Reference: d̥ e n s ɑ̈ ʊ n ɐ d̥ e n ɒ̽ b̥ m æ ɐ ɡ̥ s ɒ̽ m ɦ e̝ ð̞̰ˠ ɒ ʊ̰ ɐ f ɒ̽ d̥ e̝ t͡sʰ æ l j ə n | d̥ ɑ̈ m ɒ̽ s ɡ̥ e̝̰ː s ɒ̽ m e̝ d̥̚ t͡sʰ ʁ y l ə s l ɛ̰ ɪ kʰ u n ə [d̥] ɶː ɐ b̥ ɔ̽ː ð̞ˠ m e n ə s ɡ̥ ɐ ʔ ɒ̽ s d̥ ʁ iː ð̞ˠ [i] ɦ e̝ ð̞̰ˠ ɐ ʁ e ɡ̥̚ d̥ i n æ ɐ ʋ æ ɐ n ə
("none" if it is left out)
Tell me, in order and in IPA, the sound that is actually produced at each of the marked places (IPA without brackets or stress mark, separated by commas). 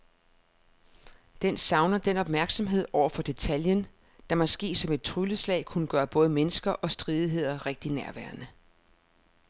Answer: ɡ̥, i